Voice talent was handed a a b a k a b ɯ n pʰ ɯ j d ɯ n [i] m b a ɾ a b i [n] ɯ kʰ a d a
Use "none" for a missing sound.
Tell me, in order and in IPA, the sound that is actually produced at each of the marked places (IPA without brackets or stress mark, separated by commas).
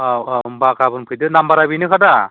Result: a, n